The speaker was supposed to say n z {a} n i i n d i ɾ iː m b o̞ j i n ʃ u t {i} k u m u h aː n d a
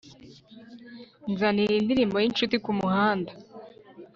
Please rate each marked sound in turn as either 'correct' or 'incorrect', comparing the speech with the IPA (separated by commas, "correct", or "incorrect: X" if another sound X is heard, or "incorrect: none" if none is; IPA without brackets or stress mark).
correct, correct